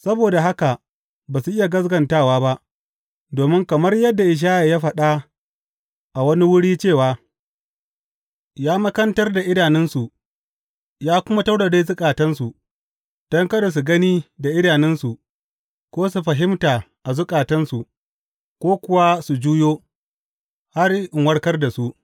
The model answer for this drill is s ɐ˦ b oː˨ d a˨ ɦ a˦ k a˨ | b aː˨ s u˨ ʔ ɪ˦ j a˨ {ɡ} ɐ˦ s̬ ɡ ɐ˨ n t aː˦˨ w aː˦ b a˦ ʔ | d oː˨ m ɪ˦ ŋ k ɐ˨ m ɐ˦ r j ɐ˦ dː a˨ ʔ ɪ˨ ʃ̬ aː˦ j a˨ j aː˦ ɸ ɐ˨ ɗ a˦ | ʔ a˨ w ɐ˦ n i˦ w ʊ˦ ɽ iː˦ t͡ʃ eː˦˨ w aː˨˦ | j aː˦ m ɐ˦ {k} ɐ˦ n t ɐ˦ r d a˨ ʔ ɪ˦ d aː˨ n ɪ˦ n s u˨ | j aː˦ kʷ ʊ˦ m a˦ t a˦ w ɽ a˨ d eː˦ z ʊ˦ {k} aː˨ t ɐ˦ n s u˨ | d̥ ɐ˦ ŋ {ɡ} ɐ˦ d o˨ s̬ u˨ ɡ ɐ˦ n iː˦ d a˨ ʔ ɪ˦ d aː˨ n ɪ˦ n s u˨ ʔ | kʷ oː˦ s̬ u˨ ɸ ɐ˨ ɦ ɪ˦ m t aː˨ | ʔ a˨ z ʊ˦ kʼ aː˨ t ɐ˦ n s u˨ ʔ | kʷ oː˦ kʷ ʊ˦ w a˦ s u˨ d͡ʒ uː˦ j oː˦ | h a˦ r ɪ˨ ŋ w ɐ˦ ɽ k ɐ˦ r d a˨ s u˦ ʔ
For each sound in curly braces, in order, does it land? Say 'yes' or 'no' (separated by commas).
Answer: yes, yes, no, no